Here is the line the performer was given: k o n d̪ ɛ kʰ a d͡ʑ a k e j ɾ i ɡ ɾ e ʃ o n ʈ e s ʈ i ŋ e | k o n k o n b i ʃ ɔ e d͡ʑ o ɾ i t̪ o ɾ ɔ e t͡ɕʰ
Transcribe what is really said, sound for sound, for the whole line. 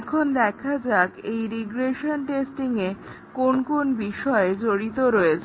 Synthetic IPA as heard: kʰ o n d̪ ɛ kʰ a d͡ʑ a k e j ɾ i ɡ ɾ e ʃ o n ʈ e s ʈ i ŋ e | k o n k o n b i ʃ ɔ e d͡ʑ o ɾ i t̪ o ɾ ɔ e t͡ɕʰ